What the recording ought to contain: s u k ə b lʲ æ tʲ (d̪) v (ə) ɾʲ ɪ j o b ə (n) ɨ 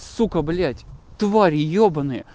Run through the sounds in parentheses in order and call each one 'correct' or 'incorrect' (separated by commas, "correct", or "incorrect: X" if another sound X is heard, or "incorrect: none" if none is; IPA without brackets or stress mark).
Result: incorrect: t̪, incorrect: a, correct